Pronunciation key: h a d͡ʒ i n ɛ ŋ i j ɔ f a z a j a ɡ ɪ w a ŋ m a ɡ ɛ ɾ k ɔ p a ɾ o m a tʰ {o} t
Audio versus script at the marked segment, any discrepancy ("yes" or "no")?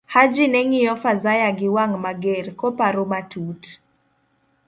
yes